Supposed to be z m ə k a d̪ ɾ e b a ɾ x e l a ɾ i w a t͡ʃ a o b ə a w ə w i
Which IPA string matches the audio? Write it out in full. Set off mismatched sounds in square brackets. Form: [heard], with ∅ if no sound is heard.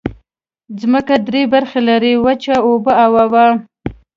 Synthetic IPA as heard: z m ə k a d̪ ɾ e b a ɾ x e l a ɾ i w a t͡ʃ a o b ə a w [a] w [a]